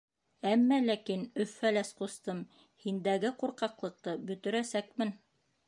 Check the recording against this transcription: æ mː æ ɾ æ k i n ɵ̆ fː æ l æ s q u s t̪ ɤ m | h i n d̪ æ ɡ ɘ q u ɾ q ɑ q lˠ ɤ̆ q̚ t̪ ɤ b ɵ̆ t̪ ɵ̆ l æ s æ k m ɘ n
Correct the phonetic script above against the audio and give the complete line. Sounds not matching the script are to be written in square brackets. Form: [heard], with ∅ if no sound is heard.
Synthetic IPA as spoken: æ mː æ [l] æ k i n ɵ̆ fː æ l æ s q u s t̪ ɤ m | h i n d̪ æ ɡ ɘ q u ɾ q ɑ q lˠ ɤ̆ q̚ t̪ ɤ b ɵ̆ t̪ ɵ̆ [ɾ] æ s æ k m ɘ n